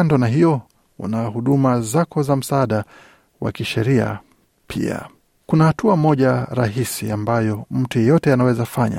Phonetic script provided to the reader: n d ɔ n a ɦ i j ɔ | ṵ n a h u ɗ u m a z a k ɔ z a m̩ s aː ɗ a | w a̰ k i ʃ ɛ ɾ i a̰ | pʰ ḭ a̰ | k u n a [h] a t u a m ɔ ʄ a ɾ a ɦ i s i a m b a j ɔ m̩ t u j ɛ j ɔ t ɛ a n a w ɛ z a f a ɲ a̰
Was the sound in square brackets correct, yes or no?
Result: yes